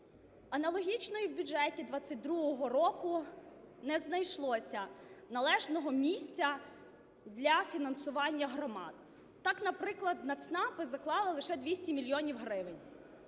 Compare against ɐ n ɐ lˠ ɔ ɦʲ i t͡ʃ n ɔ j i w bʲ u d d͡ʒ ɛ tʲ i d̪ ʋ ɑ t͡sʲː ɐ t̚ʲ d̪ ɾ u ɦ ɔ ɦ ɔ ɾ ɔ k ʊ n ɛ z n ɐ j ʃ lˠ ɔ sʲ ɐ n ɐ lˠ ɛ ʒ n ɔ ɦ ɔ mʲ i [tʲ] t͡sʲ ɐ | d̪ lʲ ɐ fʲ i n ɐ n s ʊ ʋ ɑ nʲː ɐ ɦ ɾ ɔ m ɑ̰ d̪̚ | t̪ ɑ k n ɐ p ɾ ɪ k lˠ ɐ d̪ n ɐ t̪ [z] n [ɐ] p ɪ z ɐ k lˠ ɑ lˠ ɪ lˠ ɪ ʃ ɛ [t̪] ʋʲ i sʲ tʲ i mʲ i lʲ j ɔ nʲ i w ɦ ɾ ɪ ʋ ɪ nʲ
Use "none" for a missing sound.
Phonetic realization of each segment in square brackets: sʲ, s, ɑ, d̪

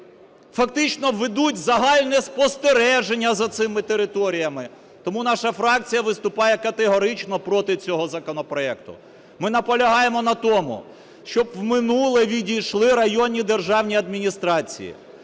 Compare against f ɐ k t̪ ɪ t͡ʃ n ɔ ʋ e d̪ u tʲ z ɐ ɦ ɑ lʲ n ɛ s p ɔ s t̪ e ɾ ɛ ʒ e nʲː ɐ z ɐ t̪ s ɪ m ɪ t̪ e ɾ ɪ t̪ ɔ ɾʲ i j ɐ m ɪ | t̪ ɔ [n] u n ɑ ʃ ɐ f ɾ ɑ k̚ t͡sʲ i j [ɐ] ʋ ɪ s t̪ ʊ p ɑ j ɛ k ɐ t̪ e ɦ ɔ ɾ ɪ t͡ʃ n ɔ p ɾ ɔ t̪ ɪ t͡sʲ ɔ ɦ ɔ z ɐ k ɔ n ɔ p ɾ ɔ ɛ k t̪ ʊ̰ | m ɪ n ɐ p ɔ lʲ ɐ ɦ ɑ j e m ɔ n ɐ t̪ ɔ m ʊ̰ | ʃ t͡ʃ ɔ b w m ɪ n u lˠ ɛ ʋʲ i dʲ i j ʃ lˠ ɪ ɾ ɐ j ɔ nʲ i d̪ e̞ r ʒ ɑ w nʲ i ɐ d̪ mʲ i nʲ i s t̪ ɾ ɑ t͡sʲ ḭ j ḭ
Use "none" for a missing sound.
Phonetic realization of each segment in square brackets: m, ɐ

